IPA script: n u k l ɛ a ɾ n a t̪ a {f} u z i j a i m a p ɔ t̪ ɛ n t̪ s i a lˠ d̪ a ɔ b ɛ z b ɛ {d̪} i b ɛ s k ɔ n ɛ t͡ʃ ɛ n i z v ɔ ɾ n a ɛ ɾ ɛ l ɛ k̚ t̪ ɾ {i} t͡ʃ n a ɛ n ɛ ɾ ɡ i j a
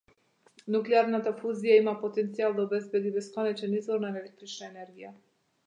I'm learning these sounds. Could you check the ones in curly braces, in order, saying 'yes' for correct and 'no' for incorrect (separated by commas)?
yes, yes, yes